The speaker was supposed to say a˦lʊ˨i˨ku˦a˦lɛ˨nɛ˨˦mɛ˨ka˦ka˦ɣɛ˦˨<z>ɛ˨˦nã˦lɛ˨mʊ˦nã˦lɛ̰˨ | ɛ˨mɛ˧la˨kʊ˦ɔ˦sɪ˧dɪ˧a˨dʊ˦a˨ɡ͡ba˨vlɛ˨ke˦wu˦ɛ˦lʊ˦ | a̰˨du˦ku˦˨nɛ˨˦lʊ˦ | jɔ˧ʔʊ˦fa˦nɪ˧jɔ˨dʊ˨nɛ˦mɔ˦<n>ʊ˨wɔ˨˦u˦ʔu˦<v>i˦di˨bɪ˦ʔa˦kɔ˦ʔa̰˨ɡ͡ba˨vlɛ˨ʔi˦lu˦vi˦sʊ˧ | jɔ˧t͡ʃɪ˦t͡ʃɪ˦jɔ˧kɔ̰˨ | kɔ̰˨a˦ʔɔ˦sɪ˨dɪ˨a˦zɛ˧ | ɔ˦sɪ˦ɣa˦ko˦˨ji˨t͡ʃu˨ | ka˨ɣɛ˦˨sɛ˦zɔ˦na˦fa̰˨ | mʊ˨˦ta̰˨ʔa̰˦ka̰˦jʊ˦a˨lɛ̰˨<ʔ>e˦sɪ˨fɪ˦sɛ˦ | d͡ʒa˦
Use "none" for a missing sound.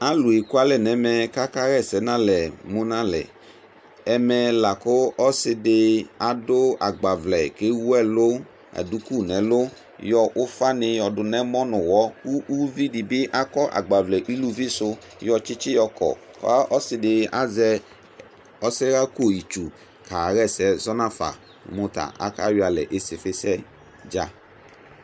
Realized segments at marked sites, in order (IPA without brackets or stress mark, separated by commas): s, n, v, ʔ